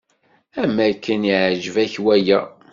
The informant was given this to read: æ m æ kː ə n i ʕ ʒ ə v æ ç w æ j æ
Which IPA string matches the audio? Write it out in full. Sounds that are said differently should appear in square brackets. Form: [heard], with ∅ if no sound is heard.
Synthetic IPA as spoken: æ m æ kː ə n i ʕ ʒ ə v æ ç w æ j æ